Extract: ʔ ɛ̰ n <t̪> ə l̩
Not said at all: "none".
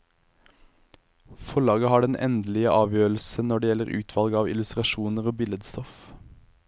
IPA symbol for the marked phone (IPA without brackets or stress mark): d̪